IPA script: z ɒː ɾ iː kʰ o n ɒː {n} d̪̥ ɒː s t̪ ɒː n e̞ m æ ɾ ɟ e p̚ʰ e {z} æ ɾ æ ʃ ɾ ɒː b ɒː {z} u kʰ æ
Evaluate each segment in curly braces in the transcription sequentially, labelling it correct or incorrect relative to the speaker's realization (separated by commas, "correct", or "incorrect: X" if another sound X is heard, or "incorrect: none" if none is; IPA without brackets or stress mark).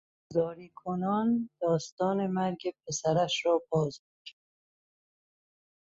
correct, incorrect: s, correct